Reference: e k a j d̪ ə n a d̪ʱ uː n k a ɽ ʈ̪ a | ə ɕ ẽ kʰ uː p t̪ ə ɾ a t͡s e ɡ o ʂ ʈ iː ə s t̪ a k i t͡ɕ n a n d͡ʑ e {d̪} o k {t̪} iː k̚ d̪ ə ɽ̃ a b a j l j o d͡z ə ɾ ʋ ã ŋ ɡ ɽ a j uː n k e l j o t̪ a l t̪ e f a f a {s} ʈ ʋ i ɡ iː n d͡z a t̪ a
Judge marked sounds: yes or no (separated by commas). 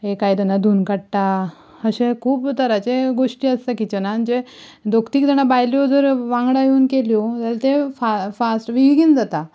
yes, yes, yes